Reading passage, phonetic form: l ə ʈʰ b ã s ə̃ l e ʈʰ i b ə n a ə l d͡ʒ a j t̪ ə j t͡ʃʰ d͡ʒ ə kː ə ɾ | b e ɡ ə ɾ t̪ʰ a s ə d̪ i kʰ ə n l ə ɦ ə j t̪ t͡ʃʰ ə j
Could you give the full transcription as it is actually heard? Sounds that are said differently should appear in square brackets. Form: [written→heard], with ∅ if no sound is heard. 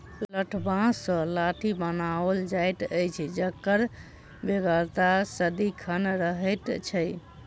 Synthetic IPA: l ə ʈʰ b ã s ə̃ l [e→a] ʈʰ i b ə n a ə l d͡ʒ a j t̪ ə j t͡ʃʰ d͡ʒ ə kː ə ɾ | b e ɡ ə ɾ [t̪ʰ→t̪] a s ə d̪ i kʰ ə n [l→ɾ] ə ɦ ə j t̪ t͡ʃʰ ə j